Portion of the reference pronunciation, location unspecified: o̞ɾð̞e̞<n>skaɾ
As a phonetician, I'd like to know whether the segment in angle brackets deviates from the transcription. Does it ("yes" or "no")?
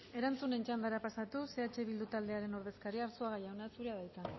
yes